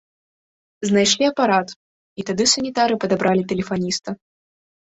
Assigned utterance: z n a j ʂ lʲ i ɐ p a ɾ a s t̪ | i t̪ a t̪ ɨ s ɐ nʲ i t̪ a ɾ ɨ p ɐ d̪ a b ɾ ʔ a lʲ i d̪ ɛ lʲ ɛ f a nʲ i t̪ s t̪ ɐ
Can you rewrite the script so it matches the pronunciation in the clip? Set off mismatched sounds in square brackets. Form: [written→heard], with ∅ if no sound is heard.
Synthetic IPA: z n a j ʂ lʲ i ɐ p a ɾ a [s→∅] t̪ | i t̪ a [t̪→d̪] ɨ s ɐ nʲ i t̪ a ɾ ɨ p ɐ d̪ a b ɾ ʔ a lʲ i [d̪→t̪] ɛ lʲ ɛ f a nʲ i [t̪→∅] s t̪ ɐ